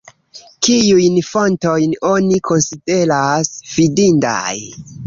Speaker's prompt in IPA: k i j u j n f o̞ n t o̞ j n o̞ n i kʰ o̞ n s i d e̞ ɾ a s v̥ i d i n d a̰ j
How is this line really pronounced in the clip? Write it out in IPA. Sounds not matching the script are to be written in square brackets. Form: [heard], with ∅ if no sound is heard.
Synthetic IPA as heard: k i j u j n f o̞ n t o̞ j n o̞ n i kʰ o̞ n s i d e̞ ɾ a s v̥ i d i n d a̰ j